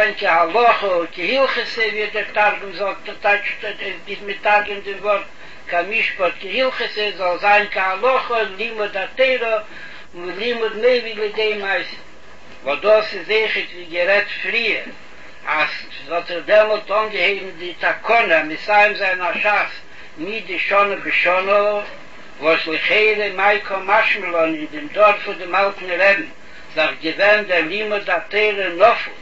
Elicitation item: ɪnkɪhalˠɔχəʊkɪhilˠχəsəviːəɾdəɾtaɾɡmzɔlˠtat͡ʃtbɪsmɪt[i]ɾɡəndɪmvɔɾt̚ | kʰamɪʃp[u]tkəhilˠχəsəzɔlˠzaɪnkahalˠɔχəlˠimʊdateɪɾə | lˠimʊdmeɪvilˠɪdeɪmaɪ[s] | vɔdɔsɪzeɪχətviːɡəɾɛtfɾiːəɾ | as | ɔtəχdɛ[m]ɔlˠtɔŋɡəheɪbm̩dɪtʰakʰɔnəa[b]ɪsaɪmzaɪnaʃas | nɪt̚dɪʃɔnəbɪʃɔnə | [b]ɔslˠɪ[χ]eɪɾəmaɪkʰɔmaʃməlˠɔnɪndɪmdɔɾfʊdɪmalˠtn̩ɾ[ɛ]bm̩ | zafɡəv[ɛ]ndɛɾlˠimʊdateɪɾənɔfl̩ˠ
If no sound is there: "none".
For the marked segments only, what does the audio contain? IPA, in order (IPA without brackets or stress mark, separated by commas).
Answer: a, ɔ, s, m, m, v, χ, ɛ, ɛ